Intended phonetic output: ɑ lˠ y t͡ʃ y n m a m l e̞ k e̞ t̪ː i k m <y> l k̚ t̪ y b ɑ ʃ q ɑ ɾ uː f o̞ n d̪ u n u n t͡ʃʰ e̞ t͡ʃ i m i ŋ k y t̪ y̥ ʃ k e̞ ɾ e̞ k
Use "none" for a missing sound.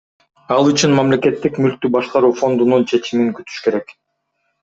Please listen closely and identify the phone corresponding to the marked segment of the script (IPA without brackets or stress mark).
y